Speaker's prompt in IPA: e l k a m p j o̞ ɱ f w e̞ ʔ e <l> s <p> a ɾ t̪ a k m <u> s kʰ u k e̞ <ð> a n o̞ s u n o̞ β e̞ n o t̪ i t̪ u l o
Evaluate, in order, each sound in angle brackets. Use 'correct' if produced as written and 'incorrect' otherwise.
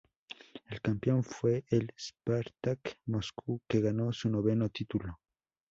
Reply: correct, correct, incorrect: o, incorrect: ɣ

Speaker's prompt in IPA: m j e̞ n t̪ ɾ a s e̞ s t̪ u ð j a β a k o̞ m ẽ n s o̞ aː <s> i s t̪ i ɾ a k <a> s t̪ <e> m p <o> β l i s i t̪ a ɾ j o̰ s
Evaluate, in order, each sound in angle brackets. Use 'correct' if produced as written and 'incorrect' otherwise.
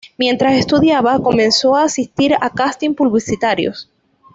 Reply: correct, correct, incorrect: i, incorrect: u

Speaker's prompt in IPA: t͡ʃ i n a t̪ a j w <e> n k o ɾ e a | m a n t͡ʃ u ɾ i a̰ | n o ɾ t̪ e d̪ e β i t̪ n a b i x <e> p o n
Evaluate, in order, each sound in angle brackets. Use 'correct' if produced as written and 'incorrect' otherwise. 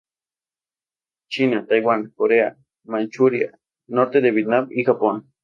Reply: incorrect: a, incorrect: a

